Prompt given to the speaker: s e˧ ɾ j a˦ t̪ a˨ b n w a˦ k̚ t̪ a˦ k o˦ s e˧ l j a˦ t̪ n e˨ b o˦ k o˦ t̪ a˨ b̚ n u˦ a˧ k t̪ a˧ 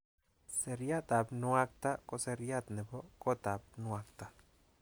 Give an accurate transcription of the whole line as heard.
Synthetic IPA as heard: s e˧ ɾ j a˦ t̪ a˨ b n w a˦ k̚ t̪ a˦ k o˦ s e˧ ɾ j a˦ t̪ n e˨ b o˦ k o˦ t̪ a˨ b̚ n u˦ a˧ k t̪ a˧